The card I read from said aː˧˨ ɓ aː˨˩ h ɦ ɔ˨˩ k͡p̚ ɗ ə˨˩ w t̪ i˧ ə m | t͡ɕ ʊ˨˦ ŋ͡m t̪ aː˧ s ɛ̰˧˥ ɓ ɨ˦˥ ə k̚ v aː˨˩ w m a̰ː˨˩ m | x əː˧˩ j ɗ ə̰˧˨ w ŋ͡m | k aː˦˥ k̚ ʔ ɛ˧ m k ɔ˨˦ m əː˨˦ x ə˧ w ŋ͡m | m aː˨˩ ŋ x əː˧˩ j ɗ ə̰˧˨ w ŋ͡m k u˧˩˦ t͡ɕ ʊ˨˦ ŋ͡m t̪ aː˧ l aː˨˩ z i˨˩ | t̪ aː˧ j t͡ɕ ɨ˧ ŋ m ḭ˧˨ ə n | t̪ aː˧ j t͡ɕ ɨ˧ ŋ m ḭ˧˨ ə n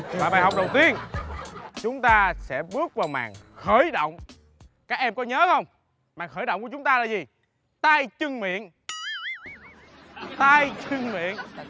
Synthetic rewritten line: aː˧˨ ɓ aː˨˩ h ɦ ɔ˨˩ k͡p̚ ɗ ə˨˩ w t̪ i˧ ə n | t͡ɕ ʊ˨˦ ŋ͡m t̪ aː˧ s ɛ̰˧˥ ɓ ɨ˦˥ ə k̚ v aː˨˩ w m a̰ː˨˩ ŋ | x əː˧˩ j ɗ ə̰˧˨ w ŋ͡m | k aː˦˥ k̚ ʔ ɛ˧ m k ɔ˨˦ ɲ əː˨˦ x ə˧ w ŋ͡m | m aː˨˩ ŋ x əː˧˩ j ɗ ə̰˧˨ w ŋ͡m k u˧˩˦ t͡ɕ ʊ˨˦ ŋ͡m t̪ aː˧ l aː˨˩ z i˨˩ | t̪ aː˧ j t͡ɕ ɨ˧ ŋ m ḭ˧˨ ə n | t̪ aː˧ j t͡ɕ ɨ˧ ŋ m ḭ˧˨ ə n